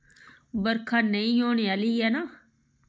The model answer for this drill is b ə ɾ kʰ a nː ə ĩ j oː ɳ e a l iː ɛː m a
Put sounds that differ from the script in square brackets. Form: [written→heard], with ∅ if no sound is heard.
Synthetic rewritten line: b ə ɾ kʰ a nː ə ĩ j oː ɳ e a l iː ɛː [m→n] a